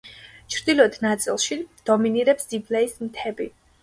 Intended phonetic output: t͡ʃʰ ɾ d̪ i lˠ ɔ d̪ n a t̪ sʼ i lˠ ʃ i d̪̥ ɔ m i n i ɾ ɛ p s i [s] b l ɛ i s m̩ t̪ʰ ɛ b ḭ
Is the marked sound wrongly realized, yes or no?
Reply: yes